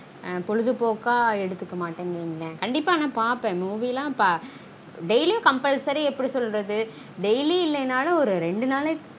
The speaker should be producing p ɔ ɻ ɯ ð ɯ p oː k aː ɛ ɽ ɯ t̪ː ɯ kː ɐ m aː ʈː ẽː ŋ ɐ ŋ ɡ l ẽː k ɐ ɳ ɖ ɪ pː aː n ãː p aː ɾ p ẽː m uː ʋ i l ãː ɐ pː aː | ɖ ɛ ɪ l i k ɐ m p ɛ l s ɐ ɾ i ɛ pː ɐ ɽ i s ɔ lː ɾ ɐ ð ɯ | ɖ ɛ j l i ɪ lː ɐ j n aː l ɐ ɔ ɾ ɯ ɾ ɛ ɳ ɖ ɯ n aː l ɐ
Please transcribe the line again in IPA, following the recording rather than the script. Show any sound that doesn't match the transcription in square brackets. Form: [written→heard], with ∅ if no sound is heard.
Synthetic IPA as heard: p ɔ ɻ ɯ ð ɯ p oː k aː ɛ ɽ ɯ t̪ː ɯ kː ɐ m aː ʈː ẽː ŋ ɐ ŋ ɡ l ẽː k ɐ ɳ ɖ ɪ pː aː n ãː p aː ɾ p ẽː m uː ʋ i l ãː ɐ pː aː | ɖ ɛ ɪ l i k ɐ m p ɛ l s ɐ ɾ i ɛ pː ɐ ɽ i s ɔ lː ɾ ɐ ð ɯ | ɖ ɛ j l i ɪ lː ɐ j n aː l ɐ ɔ ɾ ɯ ɾ ɛ ɳ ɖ ɯ n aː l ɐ